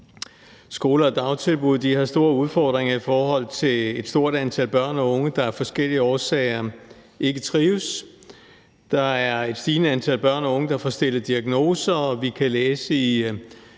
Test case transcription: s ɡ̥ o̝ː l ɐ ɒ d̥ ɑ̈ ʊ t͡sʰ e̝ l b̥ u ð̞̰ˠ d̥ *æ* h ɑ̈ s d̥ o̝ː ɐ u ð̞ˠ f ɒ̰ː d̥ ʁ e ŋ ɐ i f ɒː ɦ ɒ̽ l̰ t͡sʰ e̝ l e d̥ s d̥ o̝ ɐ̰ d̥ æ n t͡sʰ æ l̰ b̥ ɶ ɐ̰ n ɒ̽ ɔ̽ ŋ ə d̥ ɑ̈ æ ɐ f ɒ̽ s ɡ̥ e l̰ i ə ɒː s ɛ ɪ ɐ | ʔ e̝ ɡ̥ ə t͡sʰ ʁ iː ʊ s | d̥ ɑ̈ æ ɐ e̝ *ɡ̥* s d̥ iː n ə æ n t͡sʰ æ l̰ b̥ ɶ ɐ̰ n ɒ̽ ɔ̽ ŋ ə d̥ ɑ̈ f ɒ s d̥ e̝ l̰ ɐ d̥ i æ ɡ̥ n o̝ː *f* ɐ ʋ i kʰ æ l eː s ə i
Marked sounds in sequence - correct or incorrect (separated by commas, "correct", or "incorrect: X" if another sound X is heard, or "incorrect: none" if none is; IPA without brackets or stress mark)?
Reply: incorrect: i, incorrect: d̥, incorrect: s